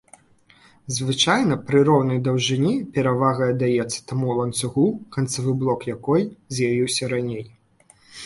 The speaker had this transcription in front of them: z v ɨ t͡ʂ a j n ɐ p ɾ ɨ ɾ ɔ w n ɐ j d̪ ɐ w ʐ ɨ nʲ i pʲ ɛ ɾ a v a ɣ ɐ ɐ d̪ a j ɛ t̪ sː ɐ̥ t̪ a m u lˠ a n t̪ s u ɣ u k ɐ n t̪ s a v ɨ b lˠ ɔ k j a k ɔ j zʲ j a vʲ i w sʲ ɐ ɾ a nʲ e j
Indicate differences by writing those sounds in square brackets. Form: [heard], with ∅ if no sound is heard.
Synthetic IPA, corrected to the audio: z v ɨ t͡ʂ a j n ɐ p ɾ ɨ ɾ ɔ w n ɐ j d̪ ɐ w ʐ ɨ nʲ i pʲ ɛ ɾ a v a ɣ ɐ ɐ d̪ a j ɛ t̪ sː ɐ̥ t̪ a m u lˠ [ɐ] n t̪ s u ɣ u k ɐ n t̪ s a v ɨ b lˠ ɔ k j a k ɔ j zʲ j a vʲ i w sʲ ɐ ɾ a nʲ e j